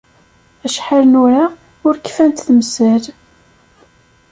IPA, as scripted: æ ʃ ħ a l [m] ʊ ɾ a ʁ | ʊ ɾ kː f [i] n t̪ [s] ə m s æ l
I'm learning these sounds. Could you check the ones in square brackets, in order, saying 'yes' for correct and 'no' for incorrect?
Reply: no, no, no

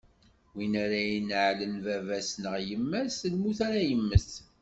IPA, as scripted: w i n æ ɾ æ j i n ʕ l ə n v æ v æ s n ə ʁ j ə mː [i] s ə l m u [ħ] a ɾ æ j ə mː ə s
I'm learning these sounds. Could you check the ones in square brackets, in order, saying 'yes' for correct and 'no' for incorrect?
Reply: no, no

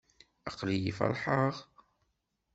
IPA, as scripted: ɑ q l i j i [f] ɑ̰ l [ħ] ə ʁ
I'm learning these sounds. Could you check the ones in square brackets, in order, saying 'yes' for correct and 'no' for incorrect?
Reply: yes, yes

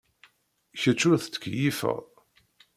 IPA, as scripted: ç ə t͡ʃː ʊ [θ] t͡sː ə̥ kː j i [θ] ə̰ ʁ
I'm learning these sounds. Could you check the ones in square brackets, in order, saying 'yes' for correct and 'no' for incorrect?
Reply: yes, no

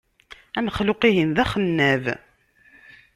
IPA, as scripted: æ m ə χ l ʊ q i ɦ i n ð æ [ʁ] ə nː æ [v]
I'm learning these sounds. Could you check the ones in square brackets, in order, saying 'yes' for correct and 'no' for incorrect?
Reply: no, yes

